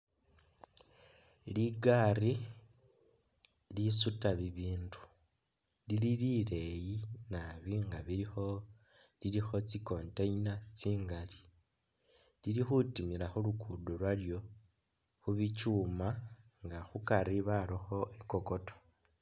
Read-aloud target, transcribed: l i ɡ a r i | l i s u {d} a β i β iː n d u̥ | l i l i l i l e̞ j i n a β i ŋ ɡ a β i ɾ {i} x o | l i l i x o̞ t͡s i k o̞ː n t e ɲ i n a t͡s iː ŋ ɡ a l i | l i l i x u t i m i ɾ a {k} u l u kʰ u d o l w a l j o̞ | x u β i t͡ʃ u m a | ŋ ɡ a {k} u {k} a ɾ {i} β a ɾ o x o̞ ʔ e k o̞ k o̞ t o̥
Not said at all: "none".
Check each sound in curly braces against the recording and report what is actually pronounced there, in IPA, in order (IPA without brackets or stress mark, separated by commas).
t, i, x, x, k, i